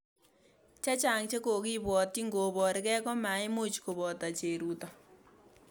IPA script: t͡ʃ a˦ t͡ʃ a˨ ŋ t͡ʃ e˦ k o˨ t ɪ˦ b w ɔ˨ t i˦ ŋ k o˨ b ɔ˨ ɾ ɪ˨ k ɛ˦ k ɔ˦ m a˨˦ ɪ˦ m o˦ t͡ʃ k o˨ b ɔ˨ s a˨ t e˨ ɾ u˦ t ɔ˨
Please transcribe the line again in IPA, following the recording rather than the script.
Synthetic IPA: t͡ʃ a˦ t͡ʃ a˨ ŋ t͡ʃ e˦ k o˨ k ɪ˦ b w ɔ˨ t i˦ ŋ ɡ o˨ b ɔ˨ ɾ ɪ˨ k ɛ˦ k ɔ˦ m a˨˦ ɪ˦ m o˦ t͡ʃ k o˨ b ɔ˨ t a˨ t͡ʃ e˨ ɾ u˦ t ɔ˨